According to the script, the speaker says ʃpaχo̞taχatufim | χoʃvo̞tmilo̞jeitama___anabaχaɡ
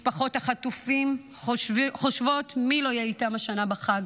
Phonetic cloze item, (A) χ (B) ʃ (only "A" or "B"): B